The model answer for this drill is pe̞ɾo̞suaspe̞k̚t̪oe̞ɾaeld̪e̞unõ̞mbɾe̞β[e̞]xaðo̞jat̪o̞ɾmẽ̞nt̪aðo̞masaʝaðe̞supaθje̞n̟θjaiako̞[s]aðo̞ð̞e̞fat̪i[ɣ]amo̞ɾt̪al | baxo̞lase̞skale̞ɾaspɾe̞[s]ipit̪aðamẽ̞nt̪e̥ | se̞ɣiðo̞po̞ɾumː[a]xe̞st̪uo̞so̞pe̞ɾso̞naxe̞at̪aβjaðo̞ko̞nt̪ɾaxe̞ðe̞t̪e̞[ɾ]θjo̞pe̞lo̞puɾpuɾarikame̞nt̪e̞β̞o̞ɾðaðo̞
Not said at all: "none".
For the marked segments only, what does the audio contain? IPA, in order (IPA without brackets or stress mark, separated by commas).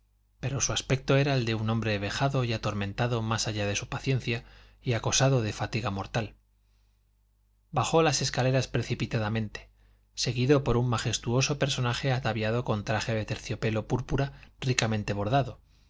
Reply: e̞, s, ɣ, θ, a, ɾ